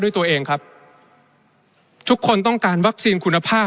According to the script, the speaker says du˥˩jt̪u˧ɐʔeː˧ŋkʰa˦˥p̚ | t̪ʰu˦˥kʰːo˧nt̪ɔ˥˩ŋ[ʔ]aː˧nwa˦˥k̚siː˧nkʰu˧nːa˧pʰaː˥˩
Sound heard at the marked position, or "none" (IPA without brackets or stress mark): k